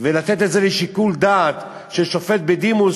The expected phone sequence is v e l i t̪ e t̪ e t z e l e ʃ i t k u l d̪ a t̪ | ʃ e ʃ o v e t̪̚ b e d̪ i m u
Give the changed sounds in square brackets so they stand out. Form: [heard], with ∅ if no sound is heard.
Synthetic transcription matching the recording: v e l [a] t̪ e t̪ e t z e l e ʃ i [∅] k u l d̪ a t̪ | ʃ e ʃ o [f] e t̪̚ b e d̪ i m u